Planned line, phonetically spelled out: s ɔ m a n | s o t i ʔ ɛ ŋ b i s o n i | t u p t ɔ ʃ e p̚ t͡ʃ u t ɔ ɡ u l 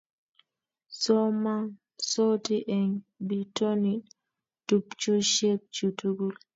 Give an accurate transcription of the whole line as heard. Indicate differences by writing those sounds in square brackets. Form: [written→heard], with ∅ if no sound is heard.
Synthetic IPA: s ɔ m a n | s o t i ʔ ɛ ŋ b i [s→t] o n i | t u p [t→t͡ʃ] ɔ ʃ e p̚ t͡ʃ u t [ɔ→u] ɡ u l

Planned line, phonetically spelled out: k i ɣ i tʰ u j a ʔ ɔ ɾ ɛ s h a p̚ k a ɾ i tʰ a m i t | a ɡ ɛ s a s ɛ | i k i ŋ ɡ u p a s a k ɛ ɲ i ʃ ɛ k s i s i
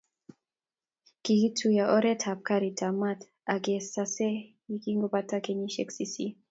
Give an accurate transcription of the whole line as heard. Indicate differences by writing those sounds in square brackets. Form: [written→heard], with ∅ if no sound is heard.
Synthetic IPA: k i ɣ i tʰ u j a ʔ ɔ ɾ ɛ [s→t] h a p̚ k a ɾ i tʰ a m [i→a] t | a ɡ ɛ s a s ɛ | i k i ŋ ɡ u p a [s→t] a k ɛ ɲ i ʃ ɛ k s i s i

